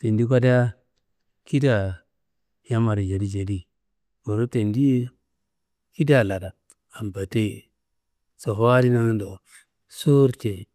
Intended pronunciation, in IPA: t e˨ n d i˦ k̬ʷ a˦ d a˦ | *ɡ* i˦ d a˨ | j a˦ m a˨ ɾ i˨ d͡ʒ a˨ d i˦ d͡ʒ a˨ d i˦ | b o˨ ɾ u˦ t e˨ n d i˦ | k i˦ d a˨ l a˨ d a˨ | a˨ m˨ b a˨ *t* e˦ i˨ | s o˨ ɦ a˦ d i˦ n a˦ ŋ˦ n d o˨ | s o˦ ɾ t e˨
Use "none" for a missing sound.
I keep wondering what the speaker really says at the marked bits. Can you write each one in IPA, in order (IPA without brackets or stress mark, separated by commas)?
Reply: k, t